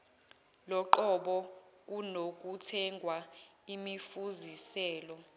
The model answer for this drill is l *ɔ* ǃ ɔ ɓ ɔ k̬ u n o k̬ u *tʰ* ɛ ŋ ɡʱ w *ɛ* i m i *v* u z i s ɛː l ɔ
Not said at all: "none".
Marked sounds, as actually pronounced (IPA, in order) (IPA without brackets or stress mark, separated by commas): ɔ, tʰ, a, f